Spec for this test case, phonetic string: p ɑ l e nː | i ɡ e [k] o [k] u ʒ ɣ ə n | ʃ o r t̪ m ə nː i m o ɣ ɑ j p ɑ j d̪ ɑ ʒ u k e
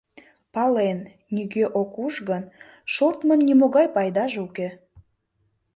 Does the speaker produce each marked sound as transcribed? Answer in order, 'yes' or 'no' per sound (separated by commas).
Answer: no, yes